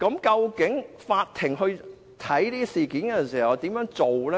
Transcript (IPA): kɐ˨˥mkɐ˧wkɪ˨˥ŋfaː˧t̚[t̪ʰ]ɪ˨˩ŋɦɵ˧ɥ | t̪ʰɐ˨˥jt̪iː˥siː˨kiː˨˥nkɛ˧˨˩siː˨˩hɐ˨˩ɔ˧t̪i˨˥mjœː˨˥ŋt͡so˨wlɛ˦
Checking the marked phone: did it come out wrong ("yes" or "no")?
no